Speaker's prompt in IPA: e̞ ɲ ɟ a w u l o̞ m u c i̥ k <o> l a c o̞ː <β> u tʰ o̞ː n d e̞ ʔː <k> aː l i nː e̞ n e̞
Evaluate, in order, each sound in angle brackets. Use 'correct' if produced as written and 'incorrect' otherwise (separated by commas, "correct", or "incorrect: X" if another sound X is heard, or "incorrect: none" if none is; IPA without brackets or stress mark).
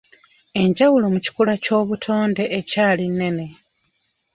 incorrect: u, correct, incorrect: c